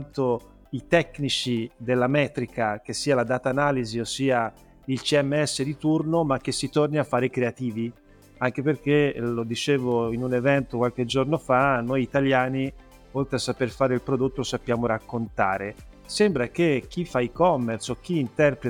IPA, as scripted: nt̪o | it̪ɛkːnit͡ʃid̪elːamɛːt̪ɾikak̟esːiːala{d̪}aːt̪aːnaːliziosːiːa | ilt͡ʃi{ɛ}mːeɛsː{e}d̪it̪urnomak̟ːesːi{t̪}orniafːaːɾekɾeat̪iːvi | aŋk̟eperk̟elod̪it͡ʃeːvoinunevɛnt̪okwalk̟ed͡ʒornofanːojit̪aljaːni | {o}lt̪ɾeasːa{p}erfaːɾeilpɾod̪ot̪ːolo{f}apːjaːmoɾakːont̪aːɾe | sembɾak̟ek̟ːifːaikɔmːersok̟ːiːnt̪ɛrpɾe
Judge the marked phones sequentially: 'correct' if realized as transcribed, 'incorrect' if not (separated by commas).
correct, correct, correct, correct, correct, correct, incorrect